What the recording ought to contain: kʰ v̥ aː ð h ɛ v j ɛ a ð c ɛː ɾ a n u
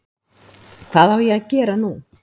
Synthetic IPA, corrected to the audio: kʰ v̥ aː ð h a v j ɛ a ð c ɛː ɾ a n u